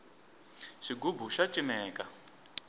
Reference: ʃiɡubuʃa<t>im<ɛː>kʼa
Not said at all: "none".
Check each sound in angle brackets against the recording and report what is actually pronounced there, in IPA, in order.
t͡ʃʼ, ɛː

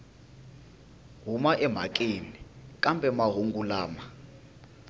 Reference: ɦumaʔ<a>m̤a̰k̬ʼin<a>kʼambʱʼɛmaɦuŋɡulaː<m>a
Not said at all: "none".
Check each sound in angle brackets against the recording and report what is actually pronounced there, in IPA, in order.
ɛ, i, m

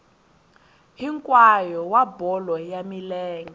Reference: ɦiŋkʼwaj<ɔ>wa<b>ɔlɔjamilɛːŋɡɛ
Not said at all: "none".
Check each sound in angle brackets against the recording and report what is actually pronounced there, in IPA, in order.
ɔ, b

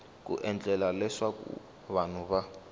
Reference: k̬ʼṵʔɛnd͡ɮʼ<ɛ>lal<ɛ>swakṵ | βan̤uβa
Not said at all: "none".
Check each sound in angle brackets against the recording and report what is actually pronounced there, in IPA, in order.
ɛ, ɛ

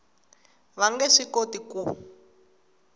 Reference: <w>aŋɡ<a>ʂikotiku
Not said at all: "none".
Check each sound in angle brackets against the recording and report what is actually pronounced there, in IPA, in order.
β, ɛ

